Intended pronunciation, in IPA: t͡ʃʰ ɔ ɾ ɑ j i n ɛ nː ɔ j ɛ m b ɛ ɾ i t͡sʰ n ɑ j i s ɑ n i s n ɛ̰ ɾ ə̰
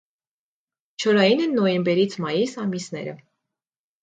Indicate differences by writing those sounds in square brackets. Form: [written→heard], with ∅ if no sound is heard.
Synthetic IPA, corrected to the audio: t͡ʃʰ ɔ ɾ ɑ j i n ɛ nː ɔ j ɛ m b ɛ ɾ i t͡sʰ [n→m] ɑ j i s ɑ [n→m] i s n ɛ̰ ɾ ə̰

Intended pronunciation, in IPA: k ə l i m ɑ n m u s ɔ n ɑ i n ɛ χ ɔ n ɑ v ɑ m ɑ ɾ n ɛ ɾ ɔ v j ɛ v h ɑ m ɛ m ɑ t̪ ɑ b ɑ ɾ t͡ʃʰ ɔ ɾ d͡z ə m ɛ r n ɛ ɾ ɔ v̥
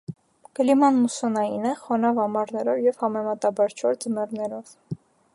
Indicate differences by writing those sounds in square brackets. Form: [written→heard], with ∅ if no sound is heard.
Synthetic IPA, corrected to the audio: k ə l i m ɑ n m u s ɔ n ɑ i n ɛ χ ɔ n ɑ v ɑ m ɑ ɾ n ɛ ɾ ɔ v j ɛ v h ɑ m ɛ m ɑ t̪ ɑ b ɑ ɾ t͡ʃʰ ɔ ɾ d͡z ə m ɛ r n ɛ ɾ ɔ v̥

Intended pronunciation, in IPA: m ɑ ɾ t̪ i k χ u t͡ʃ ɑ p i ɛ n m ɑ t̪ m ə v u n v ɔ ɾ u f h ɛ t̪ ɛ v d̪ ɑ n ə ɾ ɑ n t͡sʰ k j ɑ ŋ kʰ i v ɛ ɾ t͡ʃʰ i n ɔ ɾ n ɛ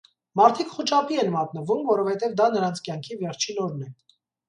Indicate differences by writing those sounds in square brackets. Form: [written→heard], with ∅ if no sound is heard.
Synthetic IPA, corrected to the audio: m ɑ ɾ [t̪→t̪ʰ] i k χ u t͡ʃ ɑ p i ɛ n m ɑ t̪ [m→n] ə v u [n→m] v ɔ ɾ [u→ɔ] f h ɛ t̪ ɛ v d̪ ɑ n ə ɾ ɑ n t͡sʰ k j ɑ ŋ kʰ i v ɛ ɾ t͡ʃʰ i n ɔ ɾ n ɛ

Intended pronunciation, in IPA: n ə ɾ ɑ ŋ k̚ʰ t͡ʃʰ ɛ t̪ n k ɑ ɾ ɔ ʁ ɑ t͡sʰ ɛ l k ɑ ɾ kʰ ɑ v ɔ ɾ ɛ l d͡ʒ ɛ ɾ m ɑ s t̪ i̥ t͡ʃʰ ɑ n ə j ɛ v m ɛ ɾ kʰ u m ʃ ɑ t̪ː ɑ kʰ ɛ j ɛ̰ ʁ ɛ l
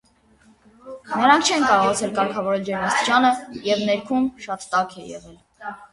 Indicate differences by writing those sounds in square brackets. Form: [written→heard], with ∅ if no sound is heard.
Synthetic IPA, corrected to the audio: n ə ɾ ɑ ŋ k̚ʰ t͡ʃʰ ɛ [t̪→∅] n k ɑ ɾ ɔ ʁ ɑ t͡sʰ ɛ l k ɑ ɾ kʰ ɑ v ɔ ɾ ɛ l d͡ʒ ɛ ɾ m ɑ s t̪ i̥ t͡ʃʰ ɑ n ə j ɛ v [m→n] ɛ ɾ kʰ u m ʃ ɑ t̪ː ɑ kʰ ɛ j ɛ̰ ʁ ɛ l

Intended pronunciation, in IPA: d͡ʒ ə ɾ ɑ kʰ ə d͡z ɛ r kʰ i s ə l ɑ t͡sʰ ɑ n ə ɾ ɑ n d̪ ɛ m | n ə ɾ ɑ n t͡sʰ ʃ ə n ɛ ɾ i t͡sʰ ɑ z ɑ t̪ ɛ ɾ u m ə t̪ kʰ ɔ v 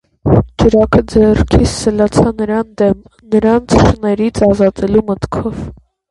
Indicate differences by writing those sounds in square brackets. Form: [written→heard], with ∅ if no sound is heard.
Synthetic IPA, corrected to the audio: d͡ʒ ə ɾ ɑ kʰ ə d͡z ɛ r kʰ i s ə l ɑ t͡sʰ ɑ n ə ɾ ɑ n d̪ ɛ m | n ə ɾ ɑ n t͡sʰ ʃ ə n ɛ ɾ i t͡sʰ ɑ z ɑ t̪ ɛ [ɾ→l] u m ə t̪ kʰ ɔ v

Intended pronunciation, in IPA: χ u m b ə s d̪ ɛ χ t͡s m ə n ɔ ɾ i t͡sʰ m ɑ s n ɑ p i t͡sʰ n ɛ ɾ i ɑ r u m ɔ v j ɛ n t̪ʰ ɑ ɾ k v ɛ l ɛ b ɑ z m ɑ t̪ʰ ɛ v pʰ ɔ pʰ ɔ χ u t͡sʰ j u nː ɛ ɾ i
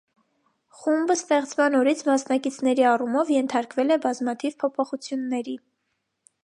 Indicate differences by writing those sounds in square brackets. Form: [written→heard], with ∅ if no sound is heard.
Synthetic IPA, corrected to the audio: χ u m b ə s [d̪→t̪] ɛ χ t͡s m [ə→ɑ] n ɔ ɾ i t͡sʰ m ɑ s n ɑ [p→k] i t͡sʰ n ɛ ɾ i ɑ r u m ɔ v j ɛ n t̪ʰ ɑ ɾ k v ɛ l ɛ b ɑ z m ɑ t̪ʰ [ɛ→i] v pʰ ɔ pʰ ɔ χ u t͡sʰ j u nː ɛ ɾ i

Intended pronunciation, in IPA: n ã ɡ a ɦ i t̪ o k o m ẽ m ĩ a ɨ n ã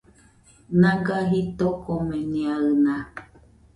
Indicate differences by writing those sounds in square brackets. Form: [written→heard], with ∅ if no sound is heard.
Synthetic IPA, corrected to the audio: n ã ɡ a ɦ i t̪ o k o m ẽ [m→n] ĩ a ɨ n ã

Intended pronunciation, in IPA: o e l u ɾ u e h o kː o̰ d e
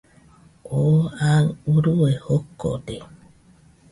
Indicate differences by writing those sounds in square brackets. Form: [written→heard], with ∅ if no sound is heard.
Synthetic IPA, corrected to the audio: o [e→a] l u ɾ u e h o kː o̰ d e

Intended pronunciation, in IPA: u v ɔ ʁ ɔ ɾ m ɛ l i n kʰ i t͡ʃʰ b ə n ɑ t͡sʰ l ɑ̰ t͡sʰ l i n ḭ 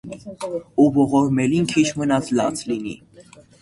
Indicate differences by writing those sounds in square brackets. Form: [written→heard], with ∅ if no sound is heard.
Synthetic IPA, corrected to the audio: u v ɔ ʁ ɔ ɾ m ɛ l i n kʰ i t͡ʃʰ [b→m] ə n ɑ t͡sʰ l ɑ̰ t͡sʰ l i n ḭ

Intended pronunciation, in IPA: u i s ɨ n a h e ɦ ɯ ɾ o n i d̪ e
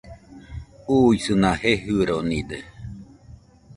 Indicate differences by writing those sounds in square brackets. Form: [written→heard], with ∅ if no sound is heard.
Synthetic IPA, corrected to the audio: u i s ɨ n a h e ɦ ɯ ɾ o n i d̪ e

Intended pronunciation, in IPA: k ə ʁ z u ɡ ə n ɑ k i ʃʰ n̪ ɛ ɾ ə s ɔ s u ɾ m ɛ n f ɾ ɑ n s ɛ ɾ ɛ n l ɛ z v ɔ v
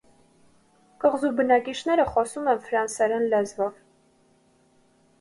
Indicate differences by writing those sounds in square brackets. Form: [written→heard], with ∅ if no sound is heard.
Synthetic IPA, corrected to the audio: k ə ʁ z u [ɡ→b] ə n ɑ k i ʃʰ n̪ ɛ ɾ ə [s→χ] ɔ s u [ɾ→∅] m ɛ n f ɾ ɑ n s ɛ ɾ ɛ n l ɛ z v ɔ v

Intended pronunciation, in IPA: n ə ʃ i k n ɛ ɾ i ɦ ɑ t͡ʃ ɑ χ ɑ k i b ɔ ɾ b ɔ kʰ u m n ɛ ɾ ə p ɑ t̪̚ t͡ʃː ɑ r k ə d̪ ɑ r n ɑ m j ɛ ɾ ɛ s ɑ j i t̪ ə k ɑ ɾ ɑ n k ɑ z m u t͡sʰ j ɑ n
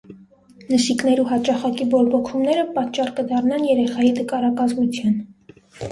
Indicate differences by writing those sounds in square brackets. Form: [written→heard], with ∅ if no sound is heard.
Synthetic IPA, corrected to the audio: n ə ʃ i k n ɛ ɾ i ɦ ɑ t͡ʃ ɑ χ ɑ k i b ɔ ɾ b ɔ kʰ u m n ɛ ɾ ə p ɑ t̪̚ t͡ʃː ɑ r k ə d̪ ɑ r n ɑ [m→n] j ɛ ɾ ɛ [s→χ] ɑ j i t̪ ə k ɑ ɾ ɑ [n→∅] k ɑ z m u t͡sʰ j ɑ n

